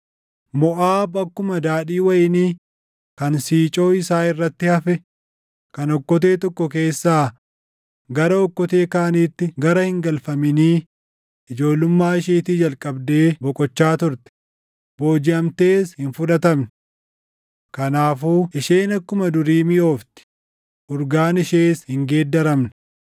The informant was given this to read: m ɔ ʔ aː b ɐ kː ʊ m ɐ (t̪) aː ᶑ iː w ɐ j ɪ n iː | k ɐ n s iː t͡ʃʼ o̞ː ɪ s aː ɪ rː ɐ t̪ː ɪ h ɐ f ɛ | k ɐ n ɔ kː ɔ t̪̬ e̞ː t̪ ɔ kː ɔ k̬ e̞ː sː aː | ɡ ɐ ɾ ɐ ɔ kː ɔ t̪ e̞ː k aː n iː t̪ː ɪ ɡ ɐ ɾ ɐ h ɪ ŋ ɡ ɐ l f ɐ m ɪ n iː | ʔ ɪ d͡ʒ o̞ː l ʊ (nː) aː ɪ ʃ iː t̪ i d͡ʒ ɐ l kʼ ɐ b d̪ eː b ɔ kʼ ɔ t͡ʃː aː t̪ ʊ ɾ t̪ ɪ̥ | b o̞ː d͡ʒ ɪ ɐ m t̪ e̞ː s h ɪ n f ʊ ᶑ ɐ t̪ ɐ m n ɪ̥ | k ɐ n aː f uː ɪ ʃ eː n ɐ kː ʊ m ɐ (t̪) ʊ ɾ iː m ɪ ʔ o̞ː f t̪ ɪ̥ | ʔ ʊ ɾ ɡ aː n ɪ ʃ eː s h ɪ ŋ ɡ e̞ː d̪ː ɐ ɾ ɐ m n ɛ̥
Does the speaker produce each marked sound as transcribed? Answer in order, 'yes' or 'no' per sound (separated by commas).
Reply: no, no, no